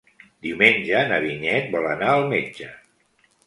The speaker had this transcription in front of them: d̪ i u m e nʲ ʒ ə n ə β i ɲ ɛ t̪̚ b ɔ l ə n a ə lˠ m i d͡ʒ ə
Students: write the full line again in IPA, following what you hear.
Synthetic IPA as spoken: d̪ i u m e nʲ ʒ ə n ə β i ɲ ɛ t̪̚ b ɔ l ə n a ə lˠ m e d͡ʒ ə